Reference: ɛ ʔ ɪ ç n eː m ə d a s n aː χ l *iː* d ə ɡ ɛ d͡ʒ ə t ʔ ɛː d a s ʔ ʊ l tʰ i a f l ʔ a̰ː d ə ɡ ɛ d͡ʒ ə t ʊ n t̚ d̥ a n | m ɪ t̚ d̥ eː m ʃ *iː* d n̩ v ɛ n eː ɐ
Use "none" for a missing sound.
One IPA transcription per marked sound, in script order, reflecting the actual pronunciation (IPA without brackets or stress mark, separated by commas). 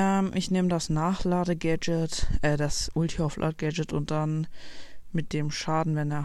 aː, aː